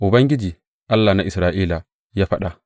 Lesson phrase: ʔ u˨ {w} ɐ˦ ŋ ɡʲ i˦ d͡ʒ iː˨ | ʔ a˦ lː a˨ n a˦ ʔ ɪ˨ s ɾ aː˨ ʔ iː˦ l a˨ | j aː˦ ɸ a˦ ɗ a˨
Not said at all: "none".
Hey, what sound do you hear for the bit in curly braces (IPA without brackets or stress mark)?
b